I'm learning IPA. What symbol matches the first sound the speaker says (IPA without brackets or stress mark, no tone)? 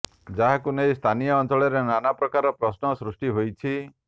d͡ʒ